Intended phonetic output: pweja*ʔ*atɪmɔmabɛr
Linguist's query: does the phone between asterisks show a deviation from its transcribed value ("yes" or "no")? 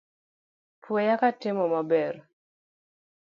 yes